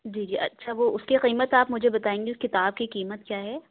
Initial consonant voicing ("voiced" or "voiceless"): voiced